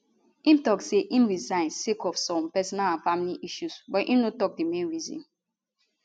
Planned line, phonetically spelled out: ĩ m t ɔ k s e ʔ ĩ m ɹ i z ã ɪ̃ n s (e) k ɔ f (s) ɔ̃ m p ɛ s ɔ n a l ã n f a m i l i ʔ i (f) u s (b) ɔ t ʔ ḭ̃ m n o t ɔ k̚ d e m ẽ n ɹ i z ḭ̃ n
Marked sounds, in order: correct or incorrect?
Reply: correct, correct, incorrect: ʃ, correct

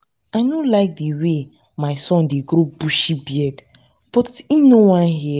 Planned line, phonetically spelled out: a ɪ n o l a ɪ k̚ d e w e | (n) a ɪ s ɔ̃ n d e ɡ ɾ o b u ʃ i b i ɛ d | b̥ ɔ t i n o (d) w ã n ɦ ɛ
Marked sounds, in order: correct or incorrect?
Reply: incorrect: m, incorrect: none

